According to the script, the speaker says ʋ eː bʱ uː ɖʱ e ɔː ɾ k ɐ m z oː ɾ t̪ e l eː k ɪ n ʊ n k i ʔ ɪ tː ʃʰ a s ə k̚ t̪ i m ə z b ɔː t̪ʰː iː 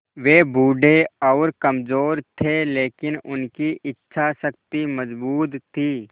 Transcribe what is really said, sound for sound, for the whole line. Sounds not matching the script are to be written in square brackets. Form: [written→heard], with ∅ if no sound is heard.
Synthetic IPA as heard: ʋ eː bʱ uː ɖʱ e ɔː ɾ k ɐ m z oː ɾ [t̪→t̪ʰ] e l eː k ɪ n ʊ n k i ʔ ɪ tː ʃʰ a s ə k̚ t̪ i m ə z b [ɔː→uː] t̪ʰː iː